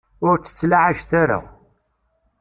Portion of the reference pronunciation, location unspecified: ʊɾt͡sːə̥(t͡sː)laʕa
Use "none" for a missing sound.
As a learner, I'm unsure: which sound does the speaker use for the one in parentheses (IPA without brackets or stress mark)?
t͡sː